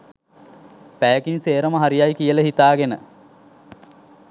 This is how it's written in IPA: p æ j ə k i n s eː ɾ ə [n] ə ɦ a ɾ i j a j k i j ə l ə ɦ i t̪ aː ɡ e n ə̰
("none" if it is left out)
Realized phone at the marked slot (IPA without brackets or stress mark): m